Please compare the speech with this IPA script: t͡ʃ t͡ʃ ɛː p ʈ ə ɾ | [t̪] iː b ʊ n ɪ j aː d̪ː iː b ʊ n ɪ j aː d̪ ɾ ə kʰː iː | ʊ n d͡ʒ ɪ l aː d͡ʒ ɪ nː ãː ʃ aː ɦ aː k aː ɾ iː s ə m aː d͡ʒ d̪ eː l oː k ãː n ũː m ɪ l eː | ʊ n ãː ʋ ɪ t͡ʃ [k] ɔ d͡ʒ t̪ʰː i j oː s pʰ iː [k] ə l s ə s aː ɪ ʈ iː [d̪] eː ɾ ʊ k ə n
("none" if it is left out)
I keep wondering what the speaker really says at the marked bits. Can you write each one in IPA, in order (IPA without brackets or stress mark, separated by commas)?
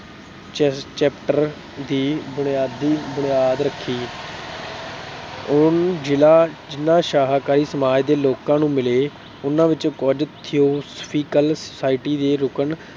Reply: d̪, k, k, d̪